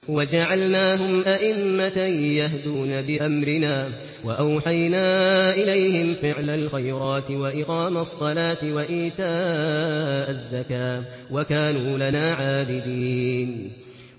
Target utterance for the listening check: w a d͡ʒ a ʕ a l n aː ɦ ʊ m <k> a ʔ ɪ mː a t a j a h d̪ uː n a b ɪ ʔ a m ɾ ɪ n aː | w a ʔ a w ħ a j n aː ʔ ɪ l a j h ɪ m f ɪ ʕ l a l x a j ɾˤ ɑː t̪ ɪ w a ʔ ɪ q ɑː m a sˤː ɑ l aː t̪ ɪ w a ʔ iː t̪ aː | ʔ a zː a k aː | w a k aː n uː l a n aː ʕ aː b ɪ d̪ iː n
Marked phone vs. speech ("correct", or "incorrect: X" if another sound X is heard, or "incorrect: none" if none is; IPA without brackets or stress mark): incorrect: ʔ